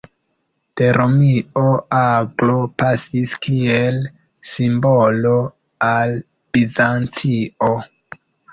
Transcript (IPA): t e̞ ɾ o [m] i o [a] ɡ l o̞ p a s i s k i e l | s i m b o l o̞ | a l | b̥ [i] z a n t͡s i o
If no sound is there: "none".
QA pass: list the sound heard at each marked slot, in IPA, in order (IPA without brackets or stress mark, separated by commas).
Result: m, a, i